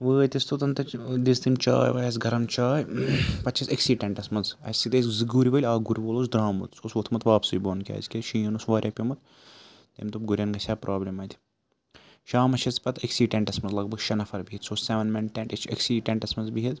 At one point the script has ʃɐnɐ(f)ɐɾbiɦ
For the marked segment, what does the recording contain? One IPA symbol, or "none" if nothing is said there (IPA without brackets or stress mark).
f